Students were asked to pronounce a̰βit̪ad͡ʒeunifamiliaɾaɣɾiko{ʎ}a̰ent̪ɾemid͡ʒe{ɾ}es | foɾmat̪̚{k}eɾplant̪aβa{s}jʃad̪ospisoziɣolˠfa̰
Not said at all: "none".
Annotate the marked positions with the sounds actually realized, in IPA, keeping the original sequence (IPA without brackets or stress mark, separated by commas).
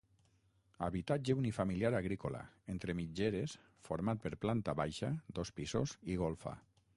l, ɾ, p, none